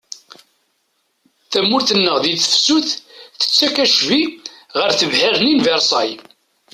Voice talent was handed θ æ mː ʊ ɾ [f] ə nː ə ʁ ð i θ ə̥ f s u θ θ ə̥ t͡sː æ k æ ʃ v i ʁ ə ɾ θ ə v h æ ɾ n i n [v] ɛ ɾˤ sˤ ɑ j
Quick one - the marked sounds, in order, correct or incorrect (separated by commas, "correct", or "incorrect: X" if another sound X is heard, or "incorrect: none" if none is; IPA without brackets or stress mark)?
incorrect: θ, correct